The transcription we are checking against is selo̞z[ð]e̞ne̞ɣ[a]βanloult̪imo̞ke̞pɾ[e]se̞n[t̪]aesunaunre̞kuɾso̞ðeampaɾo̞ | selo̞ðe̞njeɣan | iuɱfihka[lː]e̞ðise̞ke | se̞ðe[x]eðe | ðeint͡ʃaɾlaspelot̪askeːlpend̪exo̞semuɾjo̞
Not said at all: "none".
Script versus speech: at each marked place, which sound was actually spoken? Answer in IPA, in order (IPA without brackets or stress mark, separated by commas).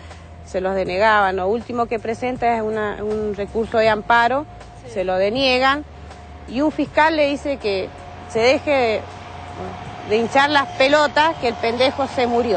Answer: ð, a, e, t̪, lː, x